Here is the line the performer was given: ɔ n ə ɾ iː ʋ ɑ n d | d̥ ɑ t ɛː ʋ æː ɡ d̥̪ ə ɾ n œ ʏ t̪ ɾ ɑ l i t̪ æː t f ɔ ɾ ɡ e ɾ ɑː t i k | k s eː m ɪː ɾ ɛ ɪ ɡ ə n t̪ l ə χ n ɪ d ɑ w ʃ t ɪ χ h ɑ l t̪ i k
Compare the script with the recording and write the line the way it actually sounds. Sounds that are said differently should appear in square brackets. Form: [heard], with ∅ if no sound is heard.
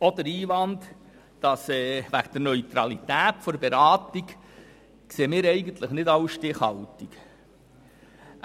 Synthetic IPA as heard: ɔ [d] ə ɾ iː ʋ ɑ n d | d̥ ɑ [s] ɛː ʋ [æ] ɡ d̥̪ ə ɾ n œ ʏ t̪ ɾ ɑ l i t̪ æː t f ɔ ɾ [b] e ɾ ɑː t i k | k s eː m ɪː ɾ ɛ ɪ ɡ ə n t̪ l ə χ n ɪ d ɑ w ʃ t ɪ χ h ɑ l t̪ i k